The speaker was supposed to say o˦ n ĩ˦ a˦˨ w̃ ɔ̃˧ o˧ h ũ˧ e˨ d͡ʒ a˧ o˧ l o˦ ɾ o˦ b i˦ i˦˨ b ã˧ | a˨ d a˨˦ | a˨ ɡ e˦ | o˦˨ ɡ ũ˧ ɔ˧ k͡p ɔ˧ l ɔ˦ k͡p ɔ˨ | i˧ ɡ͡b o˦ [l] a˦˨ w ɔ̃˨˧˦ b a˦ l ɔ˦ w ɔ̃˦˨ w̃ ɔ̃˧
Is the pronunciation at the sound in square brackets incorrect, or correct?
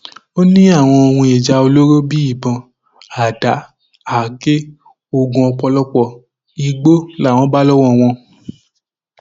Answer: correct